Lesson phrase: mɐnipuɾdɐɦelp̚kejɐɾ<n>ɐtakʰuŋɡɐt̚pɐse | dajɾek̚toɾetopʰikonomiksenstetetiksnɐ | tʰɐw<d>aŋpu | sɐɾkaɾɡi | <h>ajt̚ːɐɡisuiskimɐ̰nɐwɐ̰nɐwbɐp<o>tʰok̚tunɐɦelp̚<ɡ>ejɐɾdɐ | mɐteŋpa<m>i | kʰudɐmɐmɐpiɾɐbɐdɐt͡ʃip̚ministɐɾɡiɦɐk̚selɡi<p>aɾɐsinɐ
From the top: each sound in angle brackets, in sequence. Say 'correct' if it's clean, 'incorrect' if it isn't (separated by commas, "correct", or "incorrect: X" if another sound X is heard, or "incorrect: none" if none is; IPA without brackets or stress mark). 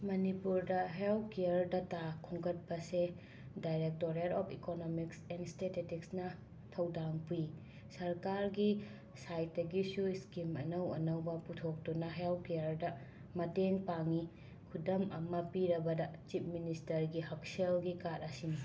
incorrect: d, correct, incorrect: s, incorrect: u, incorrect: k, incorrect: ŋ, incorrect: k